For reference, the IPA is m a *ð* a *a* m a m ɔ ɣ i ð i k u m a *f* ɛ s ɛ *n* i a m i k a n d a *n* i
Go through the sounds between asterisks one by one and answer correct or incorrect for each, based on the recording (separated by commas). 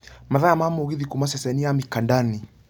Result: correct, correct, incorrect, correct, correct